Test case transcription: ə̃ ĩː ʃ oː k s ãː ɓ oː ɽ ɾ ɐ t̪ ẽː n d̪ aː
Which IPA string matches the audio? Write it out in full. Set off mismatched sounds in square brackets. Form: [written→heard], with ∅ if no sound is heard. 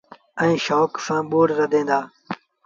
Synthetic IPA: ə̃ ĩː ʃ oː k s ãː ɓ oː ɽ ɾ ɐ [t̪→d̪] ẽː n d̪ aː